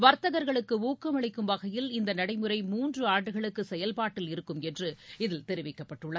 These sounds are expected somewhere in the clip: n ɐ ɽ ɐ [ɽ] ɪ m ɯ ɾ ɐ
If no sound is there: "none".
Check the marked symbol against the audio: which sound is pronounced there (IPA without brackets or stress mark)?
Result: none